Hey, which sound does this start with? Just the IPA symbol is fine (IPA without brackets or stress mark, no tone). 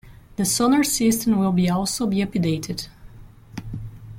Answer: ð